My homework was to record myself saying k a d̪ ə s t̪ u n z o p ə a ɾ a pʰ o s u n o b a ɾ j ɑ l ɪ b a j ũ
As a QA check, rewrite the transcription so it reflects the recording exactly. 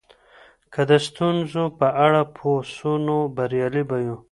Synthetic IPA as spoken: k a d̪ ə s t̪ u n z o p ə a ɽ a pʰ o s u n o b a ɾ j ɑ l i b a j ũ

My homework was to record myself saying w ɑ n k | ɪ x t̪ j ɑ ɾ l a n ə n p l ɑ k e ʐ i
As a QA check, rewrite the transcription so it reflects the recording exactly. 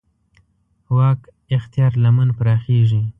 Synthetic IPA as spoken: w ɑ k | ɪ x t̪ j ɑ ɾ l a m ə n p ɾ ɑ x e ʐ i

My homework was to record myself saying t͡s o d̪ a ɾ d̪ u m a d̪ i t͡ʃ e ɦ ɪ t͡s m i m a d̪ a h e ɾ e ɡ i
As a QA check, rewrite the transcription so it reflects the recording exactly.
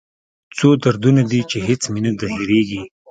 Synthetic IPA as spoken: t͡s o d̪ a ɾ d̪ u n a d̪ i t͡ʃ e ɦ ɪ t͡s m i n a d̪ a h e ɾ e ɡ i

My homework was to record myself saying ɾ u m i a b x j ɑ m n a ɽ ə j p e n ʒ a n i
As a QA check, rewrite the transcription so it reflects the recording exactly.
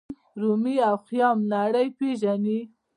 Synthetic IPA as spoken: ɾ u m i a w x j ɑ m n a ɽ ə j p e ʒ a n i

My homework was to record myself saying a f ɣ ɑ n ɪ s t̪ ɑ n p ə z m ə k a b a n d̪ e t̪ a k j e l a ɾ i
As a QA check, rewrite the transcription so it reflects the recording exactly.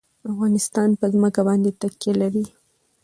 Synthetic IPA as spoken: a f ɣ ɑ n ɪ s t̪ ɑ n p ə z m ə k a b ɑ n d̪ e t̪ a k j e l a ɾ i

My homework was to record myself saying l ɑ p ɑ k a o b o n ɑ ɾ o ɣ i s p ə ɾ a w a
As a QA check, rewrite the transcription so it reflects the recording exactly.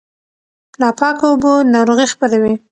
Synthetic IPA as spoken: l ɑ p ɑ k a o b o n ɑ ɾ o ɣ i x p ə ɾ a w i

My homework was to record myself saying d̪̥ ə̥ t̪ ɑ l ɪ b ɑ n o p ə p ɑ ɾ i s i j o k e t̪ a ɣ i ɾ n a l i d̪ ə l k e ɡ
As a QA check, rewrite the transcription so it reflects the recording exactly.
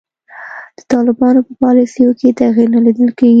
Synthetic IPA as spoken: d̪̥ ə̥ t̪ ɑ l ɪ b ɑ n o p ə p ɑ l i s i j o k e t̪ a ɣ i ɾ n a l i d̪ ə l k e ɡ

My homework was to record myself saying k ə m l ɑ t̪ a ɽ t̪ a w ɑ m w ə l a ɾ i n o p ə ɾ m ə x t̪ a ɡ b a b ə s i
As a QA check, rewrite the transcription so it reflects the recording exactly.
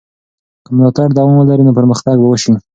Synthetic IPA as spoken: k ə m l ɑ t̪ a ɽ d̪ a w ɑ m w ə l a ɾ i n o p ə ɾ m ə x t̪ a ɡ b a w ə ʃ i

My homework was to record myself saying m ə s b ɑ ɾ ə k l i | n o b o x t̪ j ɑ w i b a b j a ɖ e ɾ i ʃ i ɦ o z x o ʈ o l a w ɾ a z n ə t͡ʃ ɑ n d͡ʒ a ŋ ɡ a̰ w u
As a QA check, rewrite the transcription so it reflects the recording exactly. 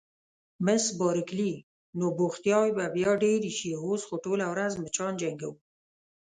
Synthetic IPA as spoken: m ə s b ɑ ɾ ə k l i | n o b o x t̪ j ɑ w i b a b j ɑ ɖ e ɾ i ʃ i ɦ o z x o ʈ o l a w ɾ a z m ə t͡ʃ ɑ n d͡ʒ a ŋ ɡ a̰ w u

